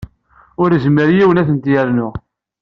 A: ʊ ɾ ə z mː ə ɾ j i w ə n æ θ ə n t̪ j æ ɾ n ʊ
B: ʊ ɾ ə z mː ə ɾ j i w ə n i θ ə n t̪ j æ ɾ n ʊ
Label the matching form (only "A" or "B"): A